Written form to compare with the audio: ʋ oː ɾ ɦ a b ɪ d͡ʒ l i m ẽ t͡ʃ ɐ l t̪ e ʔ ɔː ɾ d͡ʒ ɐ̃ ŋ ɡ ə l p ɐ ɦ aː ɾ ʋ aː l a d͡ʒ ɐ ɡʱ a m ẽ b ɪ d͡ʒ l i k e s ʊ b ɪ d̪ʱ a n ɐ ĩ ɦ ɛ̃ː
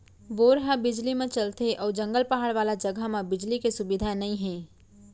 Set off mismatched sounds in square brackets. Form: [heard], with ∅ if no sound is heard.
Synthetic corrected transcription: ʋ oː ɾ ɦ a b ɪ d͡ʒ l i m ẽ t͡ʃ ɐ l t̪ e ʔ ɔː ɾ d͡ʒ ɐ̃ ŋ ɡ ə l p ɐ ɦ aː [ɽ] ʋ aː l a d͡ʒ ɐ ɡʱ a m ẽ b ɪ d͡ʒ l i k e s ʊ b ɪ d̪ʱ a n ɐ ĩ ɦ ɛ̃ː

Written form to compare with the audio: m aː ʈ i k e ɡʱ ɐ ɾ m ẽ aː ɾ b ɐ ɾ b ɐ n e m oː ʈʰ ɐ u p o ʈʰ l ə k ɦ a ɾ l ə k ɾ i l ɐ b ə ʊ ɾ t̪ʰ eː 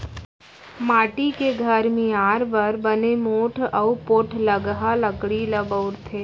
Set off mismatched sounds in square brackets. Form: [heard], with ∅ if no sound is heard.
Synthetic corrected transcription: m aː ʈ i k e ɡʱ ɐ ɾ m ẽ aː ɾ b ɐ ɾ b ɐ n e m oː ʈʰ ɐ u p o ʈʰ l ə [ɡ] ɦ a [∅] l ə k [ɽ] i l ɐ b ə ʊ ɾ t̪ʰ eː

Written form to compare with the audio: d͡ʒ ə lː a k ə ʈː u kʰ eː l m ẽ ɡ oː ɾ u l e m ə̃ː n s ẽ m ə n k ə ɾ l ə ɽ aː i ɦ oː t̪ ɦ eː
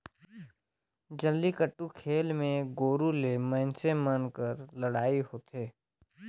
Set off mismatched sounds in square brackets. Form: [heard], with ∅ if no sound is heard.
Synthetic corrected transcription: d͡ʒ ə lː [i] k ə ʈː u kʰ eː l m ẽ ɡ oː ɾ u l e m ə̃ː n s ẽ m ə n k ə ɾ l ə ɽ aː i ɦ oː t̪ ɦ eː

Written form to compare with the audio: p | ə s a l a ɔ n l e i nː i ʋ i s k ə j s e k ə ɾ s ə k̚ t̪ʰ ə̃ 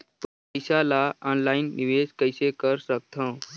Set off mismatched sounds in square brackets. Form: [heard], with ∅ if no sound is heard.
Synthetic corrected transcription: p | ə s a l a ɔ n l [a] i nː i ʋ [e] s k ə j s e k ə ɾ s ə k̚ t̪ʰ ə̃

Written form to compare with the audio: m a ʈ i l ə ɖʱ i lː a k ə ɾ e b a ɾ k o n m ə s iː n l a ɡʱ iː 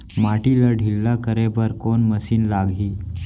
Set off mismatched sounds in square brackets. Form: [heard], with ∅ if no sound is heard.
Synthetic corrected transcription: m a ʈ i l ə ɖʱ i lː a k ə ɾ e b [ə] ɾ k o n m ə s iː n l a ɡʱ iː

